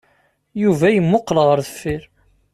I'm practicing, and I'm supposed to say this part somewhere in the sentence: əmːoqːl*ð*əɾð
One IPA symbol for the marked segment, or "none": ʁ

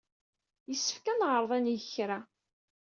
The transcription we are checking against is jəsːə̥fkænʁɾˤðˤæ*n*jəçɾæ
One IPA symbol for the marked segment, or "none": n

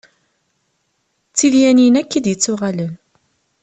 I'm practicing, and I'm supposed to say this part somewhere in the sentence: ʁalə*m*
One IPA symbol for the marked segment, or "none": n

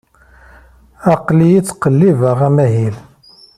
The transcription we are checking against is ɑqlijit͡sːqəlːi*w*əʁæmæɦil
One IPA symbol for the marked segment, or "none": v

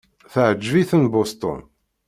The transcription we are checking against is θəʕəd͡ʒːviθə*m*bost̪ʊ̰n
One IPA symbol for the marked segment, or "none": n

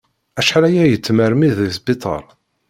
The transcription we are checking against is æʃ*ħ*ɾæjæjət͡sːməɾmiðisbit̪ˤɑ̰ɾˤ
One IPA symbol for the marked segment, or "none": ħ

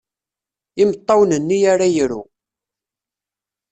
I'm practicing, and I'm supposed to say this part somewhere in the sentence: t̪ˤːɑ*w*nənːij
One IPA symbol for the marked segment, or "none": w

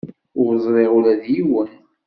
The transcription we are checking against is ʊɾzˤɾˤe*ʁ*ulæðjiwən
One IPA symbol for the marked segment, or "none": ʁ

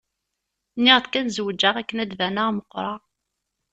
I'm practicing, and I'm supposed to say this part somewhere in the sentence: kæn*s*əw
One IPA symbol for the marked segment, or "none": z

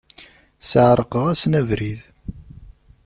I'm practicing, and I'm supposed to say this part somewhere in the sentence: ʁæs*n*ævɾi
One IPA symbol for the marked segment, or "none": n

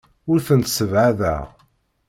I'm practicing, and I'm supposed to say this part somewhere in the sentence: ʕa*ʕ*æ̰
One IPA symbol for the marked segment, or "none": ð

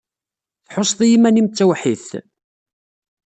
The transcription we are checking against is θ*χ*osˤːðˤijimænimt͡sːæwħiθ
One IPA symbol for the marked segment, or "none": ħ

